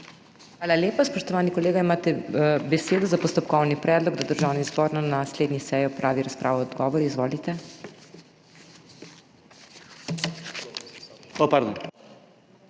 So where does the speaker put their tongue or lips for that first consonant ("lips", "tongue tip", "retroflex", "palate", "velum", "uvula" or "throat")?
velum